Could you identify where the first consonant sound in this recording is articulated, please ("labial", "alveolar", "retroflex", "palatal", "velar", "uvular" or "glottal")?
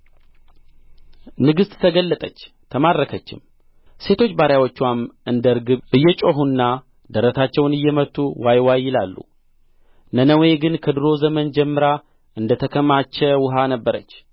alveolar